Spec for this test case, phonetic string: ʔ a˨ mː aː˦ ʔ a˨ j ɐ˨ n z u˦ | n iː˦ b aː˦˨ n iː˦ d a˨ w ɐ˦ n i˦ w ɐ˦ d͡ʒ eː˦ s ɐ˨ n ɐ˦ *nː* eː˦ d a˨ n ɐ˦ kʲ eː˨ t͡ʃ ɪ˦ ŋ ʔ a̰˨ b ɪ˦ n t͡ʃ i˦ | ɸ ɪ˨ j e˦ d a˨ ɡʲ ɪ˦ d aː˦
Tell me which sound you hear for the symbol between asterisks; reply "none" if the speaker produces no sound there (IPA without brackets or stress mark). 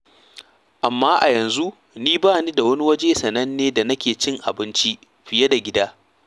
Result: nː